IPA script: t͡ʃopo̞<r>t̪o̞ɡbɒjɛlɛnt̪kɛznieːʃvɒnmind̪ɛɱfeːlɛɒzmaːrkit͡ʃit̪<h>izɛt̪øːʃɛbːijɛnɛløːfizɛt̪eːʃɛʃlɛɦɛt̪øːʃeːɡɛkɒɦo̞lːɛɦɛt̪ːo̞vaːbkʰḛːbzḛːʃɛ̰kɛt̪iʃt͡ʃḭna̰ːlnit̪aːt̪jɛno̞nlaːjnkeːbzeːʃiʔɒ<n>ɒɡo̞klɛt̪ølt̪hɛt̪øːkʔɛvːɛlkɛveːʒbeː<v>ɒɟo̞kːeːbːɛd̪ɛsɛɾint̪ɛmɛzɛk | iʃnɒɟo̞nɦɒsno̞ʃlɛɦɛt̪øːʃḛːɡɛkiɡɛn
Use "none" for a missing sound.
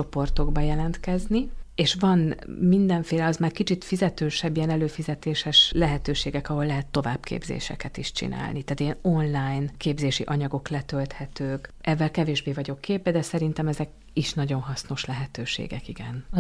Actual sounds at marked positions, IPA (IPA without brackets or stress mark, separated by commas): r, f, ɲ, v